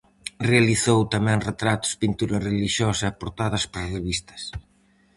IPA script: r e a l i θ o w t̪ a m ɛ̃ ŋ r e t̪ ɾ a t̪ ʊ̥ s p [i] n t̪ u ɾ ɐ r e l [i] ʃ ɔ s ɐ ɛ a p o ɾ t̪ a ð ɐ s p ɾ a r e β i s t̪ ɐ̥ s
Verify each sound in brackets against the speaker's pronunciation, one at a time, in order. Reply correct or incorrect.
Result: correct, correct

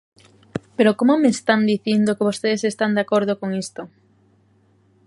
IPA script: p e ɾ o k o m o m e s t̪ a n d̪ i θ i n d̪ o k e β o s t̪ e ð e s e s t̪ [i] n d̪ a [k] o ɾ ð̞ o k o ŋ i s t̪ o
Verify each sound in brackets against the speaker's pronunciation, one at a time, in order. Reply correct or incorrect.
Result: incorrect: a, correct

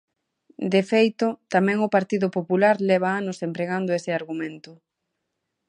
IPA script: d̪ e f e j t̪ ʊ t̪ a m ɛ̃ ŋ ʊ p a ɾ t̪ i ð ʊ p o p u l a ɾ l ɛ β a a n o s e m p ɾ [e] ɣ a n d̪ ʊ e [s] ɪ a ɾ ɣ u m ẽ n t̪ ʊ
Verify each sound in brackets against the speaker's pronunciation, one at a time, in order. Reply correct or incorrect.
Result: correct, correct

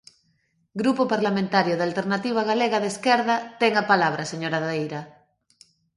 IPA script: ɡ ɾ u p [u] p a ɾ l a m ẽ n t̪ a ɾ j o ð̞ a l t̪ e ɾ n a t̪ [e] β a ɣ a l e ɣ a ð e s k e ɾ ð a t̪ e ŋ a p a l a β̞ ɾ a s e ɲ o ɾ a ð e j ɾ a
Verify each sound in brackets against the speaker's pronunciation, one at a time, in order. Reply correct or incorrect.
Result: incorrect: o, incorrect: i

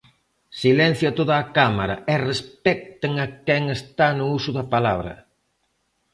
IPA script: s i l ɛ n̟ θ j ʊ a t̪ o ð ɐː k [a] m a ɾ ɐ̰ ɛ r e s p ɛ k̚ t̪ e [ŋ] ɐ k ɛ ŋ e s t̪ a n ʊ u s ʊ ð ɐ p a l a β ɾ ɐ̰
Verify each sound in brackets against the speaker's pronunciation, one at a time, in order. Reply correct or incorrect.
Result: correct, correct

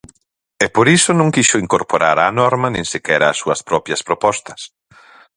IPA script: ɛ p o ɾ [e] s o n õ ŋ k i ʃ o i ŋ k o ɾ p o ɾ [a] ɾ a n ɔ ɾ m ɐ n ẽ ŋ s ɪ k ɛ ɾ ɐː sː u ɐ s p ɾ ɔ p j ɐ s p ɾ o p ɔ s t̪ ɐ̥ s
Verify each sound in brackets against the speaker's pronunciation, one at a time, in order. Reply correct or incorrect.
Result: incorrect: i, correct

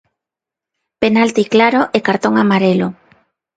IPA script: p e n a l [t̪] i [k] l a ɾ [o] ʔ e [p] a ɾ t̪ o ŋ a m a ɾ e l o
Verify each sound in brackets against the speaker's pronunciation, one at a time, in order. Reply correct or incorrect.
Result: correct, correct, correct, incorrect: k

